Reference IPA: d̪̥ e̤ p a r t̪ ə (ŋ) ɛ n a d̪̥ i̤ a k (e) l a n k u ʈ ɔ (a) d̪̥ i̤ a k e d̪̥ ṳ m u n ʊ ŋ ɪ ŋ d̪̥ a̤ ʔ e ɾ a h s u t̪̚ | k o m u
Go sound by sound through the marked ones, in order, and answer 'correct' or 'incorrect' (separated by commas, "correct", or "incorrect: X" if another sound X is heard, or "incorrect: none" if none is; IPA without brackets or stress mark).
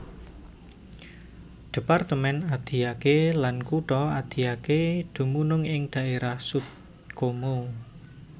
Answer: incorrect: m, correct, correct